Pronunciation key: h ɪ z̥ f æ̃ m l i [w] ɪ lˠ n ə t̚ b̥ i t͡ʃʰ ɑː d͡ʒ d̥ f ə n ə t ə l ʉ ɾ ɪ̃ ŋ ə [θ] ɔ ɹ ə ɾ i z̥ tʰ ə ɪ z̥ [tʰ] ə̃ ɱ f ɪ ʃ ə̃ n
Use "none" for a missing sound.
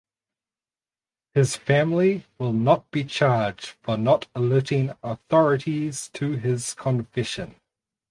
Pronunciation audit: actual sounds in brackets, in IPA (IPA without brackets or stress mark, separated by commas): w, θ, kʰ